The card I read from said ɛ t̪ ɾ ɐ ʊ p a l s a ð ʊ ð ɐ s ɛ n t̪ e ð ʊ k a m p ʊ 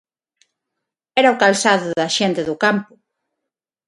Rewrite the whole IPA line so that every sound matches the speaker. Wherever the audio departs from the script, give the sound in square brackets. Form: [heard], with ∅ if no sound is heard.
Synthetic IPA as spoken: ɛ [∅] ɾ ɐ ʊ [k] a l s a ð ʊ ð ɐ [ʃ] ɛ n t̪ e ð ʊ k a m p ʊ